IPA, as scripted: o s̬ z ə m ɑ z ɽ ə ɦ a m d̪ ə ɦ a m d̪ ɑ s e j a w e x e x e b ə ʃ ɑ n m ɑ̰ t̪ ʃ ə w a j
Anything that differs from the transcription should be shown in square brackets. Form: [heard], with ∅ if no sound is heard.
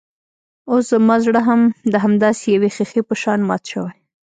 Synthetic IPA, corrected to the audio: o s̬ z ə m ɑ z ɽ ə ɦ a m d̪ ə ɦ a m d̪ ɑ s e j a w e x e x e [p] ə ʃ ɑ n m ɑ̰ t̪ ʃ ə w a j